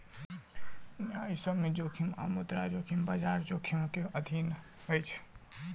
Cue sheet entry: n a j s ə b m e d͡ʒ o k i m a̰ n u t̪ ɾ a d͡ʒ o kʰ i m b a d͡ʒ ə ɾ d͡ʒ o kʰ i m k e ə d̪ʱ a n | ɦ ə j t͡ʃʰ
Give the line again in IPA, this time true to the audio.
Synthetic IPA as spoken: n a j s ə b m e d͡ʒ o kʰ i m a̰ m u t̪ ɾ a d͡ʒ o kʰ i m b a d͡ʒ a ɾ d͡ʒ o kʰ i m k e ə d̪ʱ i n | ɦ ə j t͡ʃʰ

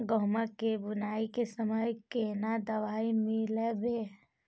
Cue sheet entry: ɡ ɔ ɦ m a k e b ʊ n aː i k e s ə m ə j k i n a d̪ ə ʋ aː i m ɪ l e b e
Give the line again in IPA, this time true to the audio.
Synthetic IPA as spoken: ɡ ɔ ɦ m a k e b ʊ n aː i k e s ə m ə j k e n a d̪ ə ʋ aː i m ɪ l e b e

